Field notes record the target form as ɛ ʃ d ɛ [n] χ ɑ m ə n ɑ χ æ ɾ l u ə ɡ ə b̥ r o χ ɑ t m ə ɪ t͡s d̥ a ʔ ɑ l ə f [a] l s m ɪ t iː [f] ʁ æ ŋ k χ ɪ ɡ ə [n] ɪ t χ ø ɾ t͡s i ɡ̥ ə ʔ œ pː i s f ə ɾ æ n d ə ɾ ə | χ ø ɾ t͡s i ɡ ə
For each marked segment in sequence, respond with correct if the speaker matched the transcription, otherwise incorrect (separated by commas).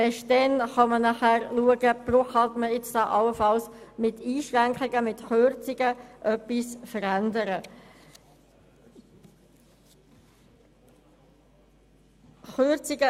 correct, incorrect, incorrect, incorrect